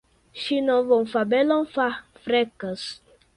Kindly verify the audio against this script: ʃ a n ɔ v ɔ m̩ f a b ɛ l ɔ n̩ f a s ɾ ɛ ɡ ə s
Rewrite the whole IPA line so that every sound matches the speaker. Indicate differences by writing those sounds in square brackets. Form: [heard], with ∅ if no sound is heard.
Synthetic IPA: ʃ [i] n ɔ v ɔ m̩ f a b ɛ l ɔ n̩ f a [f] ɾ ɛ [k] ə s